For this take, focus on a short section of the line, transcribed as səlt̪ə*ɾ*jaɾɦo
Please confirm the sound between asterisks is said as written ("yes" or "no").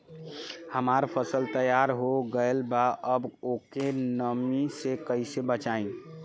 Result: no